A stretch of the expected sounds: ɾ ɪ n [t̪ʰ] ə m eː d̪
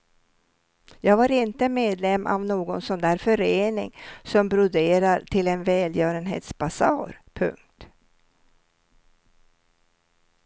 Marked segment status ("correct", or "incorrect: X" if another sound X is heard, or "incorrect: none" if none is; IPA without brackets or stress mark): incorrect: t̪